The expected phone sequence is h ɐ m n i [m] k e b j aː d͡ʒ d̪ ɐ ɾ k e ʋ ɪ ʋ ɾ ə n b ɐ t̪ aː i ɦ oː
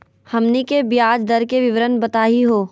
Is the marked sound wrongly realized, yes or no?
yes